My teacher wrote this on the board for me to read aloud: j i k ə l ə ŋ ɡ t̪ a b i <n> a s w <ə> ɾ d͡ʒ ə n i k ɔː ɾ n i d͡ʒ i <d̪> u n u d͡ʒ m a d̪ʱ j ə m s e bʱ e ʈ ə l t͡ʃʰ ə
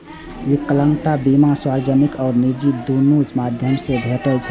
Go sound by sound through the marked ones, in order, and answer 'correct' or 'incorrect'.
incorrect, incorrect, correct

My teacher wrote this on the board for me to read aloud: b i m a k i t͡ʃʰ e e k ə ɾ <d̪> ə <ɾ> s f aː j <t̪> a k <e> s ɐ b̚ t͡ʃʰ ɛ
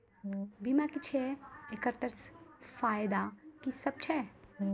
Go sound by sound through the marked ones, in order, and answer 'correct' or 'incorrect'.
incorrect, correct, incorrect, incorrect

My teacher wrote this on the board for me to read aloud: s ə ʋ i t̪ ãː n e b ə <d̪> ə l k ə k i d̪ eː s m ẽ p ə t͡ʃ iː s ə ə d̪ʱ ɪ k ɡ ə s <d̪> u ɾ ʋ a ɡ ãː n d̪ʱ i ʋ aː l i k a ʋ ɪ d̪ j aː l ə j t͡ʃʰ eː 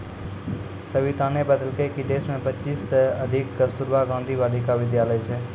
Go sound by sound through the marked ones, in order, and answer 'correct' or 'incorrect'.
correct, incorrect

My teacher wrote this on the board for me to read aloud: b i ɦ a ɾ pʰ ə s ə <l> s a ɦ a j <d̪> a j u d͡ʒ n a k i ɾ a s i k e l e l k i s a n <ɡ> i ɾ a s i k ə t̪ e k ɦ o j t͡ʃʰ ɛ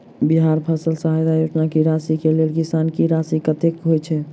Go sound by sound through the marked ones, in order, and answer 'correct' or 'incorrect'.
correct, correct, incorrect

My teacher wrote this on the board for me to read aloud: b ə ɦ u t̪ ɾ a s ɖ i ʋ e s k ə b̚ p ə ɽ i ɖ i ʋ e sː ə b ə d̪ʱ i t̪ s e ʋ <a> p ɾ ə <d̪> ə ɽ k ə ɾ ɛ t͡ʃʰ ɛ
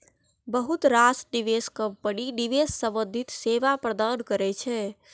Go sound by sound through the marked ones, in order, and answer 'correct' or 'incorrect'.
correct, correct

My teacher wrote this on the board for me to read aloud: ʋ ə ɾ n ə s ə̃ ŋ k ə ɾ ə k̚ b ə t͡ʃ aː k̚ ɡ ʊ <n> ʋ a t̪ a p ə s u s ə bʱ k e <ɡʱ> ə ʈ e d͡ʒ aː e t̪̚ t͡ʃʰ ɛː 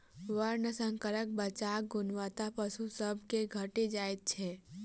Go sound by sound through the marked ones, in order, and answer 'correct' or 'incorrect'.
correct, correct

